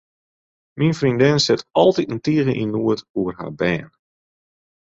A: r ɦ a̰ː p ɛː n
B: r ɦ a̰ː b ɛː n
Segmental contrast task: B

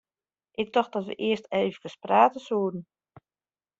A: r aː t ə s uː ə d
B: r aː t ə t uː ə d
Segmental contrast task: A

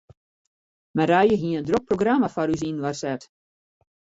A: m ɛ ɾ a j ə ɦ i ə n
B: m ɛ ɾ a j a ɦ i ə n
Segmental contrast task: A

